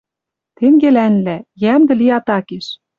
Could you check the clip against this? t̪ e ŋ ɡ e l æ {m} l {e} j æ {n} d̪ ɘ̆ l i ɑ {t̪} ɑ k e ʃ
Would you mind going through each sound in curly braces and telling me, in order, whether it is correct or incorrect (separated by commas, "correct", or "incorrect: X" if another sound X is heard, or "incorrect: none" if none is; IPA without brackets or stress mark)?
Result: incorrect: n, incorrect: æ, incorrect: m, correct